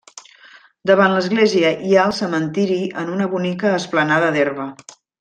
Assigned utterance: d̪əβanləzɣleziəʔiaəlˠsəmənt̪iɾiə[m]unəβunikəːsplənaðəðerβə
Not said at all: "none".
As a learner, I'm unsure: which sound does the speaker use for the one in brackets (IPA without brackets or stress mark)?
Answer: n